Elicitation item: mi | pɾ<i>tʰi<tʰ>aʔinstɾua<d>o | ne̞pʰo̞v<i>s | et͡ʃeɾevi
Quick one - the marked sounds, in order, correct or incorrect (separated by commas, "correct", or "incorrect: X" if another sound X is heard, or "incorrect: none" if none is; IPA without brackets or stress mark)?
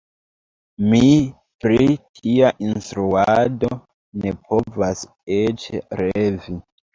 correct, incorrect: none, correct, incorrect: a